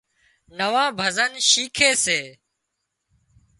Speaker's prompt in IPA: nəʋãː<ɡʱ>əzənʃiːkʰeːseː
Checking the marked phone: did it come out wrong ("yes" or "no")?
yes